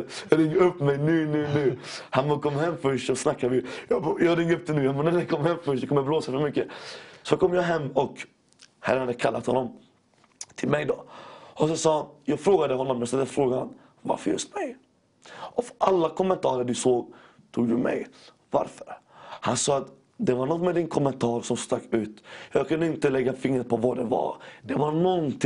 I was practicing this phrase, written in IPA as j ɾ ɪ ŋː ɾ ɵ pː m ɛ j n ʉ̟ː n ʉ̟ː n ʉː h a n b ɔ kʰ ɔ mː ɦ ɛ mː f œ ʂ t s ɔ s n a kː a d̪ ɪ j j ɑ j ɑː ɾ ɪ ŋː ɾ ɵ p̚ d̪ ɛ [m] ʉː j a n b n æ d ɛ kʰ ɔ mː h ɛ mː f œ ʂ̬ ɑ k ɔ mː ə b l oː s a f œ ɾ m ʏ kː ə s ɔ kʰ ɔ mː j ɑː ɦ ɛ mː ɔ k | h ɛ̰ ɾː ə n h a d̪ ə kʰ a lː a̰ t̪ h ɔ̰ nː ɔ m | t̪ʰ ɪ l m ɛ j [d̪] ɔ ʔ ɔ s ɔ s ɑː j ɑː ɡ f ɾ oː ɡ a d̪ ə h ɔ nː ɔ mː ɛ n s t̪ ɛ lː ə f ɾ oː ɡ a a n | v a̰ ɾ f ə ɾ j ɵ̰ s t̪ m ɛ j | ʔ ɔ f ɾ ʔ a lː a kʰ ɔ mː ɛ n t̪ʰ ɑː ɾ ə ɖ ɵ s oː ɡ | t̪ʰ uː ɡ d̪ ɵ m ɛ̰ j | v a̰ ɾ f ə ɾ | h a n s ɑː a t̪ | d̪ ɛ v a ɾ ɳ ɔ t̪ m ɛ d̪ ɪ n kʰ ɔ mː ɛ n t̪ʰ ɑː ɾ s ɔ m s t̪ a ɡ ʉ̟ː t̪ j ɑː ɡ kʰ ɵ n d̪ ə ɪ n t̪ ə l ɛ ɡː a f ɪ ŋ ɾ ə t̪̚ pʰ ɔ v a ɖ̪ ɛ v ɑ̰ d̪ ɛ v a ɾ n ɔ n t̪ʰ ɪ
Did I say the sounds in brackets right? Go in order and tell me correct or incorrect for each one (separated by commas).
incorrect, correct